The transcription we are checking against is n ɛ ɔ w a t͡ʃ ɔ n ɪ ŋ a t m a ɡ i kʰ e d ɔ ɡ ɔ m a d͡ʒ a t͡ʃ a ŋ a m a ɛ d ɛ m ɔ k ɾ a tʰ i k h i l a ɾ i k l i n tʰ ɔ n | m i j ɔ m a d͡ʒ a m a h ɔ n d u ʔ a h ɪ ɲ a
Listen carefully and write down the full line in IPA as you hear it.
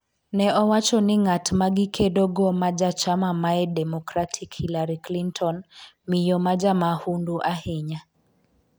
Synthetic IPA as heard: n ɛ ɔ w a t͡ʃ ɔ n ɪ ŋ a t m a ɡ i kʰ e d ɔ ɡ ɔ m a d͡ʒ a t͡ʃ a m a m a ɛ d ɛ m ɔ k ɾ a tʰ i k h i l a ɾ i k l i n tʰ ɔ n | m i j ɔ m a d͡ʒ a m a h u n d u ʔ a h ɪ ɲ a